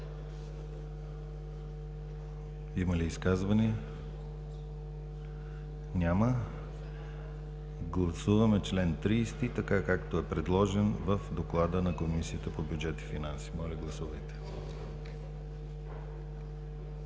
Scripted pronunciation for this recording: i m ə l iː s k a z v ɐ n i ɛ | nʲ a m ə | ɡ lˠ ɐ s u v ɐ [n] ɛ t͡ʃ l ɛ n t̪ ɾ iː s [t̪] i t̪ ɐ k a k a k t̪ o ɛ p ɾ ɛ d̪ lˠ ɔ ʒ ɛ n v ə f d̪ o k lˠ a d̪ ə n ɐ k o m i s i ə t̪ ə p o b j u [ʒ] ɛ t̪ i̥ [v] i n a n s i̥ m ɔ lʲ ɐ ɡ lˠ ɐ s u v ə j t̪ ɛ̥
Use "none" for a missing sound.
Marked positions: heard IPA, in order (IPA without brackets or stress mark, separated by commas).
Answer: m, t̪, d͡ʒ, f